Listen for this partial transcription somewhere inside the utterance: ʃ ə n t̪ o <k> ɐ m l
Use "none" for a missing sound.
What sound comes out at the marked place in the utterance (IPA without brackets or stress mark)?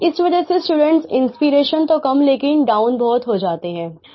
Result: k